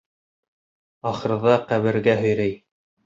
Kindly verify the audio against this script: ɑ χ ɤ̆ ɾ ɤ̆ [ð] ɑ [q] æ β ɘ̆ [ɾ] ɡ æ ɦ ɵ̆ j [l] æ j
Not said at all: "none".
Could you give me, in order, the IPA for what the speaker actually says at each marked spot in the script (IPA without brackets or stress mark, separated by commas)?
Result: ð, q, ɾ, ɾ